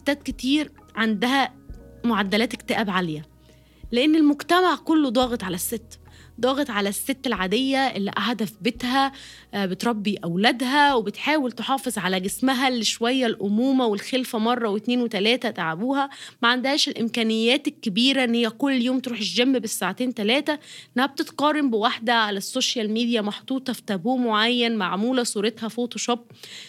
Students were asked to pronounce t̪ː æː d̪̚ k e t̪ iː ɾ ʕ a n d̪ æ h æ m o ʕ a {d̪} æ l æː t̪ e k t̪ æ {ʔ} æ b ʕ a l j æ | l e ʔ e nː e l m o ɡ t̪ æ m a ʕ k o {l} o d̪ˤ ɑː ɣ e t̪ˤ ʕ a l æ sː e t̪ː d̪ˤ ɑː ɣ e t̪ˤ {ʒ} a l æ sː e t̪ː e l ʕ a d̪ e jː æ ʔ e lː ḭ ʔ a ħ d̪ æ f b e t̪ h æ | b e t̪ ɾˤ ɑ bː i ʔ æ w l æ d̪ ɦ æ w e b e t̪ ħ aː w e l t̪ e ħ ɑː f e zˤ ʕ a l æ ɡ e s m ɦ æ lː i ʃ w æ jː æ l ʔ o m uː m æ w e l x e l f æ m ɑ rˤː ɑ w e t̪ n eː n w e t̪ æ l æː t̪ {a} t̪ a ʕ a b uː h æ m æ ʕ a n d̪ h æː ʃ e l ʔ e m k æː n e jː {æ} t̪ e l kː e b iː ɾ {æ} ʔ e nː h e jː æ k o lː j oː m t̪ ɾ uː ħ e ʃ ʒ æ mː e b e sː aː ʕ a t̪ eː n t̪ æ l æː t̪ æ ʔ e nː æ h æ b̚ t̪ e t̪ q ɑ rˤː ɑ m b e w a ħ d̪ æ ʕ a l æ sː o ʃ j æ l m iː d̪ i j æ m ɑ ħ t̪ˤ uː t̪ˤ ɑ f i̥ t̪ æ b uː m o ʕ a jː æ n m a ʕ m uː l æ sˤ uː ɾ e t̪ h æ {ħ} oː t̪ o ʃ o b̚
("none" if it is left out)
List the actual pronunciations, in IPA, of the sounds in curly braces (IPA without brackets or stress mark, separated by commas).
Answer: d̪ː, ʔ, lː, ʕ, æ, æː, æ, f